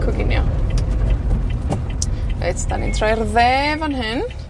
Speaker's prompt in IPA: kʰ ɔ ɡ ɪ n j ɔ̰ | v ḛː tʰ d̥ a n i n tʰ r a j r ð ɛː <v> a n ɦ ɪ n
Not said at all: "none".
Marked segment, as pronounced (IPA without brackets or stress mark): v